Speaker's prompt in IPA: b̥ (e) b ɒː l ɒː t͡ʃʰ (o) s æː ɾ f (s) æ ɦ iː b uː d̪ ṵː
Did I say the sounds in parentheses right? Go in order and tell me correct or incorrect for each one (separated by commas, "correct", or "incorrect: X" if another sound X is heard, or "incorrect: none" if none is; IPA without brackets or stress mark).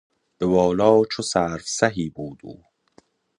correct, correct, correct